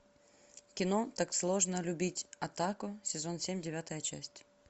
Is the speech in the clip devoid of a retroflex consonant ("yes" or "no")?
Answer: no